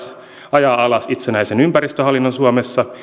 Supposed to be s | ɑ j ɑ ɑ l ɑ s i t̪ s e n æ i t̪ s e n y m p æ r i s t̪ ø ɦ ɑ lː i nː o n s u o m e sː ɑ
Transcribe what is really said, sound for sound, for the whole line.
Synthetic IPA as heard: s | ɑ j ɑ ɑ l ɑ s i t̪ s e n æ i s e n y m p æ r i s t̪ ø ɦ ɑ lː i nː o n s u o m e sː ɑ